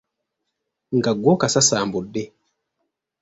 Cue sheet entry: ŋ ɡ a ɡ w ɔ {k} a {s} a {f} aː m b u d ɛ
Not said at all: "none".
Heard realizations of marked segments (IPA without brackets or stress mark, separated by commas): k, s, s